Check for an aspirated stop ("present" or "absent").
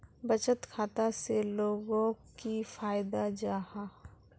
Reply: present